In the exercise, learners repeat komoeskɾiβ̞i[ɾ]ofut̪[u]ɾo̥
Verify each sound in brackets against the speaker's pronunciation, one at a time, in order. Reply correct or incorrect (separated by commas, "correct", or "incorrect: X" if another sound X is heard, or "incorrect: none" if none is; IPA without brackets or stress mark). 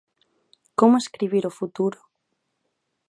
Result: correct, correct